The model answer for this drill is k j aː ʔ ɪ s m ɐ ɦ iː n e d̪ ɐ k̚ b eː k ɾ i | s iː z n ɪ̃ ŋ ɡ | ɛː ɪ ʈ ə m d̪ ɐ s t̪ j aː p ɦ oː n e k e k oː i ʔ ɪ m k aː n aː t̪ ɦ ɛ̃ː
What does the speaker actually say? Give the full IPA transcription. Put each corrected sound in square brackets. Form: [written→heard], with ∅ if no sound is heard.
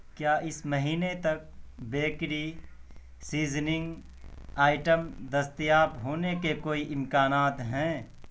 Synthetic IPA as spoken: k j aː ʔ ɪ s m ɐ ɦ iː n e [d̪→t̪] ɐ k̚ b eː k ɾ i | s iː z n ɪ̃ ŋ ɡ | [ɛː→aː] ɪ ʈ ə m d̪ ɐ s t̪ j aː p ɦ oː n e k e k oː i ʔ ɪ m k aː n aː t̪ ɦ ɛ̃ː